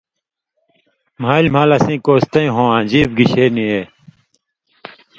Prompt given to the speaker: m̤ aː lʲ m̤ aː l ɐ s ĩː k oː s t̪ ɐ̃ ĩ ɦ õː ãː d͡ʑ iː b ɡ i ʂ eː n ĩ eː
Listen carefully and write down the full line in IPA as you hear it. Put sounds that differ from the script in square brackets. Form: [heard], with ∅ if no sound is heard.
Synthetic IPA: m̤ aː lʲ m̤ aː l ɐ s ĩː k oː s t̪ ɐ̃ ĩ ɦ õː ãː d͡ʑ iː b ɡ i [ɕ] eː n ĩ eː